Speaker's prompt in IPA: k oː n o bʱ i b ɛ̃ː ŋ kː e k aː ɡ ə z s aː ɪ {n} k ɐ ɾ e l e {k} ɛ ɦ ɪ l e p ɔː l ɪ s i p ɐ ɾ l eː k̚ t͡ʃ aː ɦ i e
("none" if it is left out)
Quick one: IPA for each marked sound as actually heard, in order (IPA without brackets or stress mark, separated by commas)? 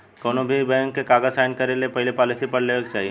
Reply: n, p